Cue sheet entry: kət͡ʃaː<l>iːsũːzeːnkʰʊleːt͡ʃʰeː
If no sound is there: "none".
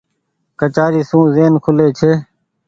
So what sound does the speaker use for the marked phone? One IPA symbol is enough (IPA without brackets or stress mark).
ɾ